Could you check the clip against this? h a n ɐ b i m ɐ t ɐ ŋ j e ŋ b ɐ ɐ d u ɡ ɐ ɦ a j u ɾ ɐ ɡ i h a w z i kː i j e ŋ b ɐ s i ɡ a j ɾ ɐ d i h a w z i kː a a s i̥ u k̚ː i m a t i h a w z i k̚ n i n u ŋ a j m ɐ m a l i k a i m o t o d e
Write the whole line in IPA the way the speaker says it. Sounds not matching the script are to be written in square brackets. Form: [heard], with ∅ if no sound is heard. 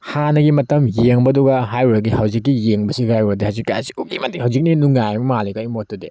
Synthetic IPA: h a n ɐ [ɡ] i m ɐ t ɐ [m] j e ŋ b ɐ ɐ d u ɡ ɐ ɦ a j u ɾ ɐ ɡ i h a w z i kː i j e ŋ b ɐ s i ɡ a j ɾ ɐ d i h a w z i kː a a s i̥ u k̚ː i m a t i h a w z i k̚ n i n u ŋ a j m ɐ m a l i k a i m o t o d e